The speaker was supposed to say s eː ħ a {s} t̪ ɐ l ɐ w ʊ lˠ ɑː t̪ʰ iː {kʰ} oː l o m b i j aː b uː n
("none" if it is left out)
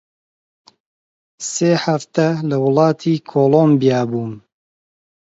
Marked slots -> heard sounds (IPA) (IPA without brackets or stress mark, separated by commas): f, kʰ